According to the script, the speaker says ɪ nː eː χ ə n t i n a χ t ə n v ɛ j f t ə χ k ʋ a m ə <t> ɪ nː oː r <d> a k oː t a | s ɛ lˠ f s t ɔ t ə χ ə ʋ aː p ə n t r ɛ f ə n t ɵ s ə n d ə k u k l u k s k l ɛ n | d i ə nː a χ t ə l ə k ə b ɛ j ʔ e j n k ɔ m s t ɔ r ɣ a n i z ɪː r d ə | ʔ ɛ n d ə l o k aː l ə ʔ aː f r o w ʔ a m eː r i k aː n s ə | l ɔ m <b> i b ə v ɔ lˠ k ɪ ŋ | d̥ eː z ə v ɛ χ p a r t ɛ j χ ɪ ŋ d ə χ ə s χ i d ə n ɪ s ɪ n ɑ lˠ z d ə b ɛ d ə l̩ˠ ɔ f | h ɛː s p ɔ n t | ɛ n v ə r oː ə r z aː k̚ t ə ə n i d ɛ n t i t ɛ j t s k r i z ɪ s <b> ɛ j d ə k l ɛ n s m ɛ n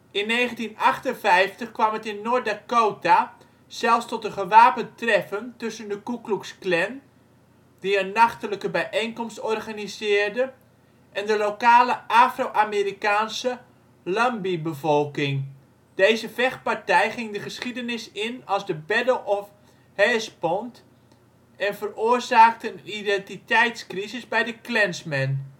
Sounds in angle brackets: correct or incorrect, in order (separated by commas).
correct, correct, correct, correct